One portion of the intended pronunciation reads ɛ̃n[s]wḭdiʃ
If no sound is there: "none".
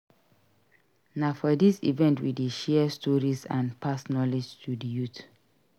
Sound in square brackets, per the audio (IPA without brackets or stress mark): t